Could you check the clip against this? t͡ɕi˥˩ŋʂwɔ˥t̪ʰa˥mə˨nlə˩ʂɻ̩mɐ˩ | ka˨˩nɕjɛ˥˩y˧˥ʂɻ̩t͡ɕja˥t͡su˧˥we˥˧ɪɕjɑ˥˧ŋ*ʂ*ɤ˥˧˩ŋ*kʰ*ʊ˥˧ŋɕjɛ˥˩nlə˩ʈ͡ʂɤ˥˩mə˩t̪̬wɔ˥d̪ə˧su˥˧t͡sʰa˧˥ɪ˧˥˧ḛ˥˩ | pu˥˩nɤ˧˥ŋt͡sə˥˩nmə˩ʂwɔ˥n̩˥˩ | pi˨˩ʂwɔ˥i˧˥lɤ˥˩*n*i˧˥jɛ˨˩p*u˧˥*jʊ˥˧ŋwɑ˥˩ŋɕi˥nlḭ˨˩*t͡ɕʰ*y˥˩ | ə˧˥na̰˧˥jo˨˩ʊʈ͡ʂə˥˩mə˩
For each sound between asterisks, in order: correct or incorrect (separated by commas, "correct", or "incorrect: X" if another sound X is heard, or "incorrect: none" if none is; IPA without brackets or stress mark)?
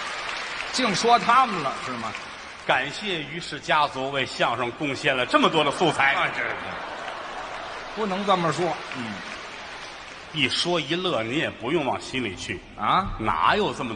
correct, incorrect: k, correct, correct, correct